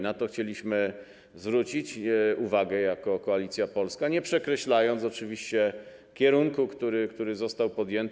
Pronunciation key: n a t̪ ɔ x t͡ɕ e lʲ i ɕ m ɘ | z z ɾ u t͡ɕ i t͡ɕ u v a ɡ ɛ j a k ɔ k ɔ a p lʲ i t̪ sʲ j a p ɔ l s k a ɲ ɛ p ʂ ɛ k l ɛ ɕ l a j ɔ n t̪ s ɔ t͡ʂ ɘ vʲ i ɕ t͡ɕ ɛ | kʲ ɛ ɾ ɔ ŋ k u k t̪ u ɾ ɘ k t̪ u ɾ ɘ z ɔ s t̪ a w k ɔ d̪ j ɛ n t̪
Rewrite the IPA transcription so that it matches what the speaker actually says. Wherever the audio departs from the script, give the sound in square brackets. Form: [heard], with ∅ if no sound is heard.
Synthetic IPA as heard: n a t̪ ɔ x t͡ɕ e lʲ i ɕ m ɘ | z [v] ɾ u t͡ɕ i t͡ɕ u v a ɡ ɛ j a k ɔ k ɔ a [∅] lʲ i t̪ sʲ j a p ɔ l s k a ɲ ɛ p ʂ ɛ k [ɾ] ɛ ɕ l a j ɔ n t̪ s ɔ t͡ʂ ɘ vʲ i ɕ t͡ɕ ɛ | kʲ ɛ ɾ [u] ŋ k u k t̪ u ɾ ɘ k t̪ u ɾ ɘ z ɔ s t̪ a w [p] ɔ d̪ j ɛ n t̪